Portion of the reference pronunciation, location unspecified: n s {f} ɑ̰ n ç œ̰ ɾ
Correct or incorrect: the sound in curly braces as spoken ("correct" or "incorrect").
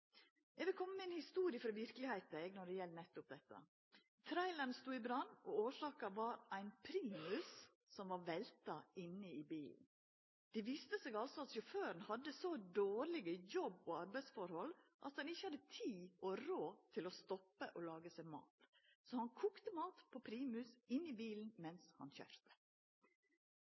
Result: incorrect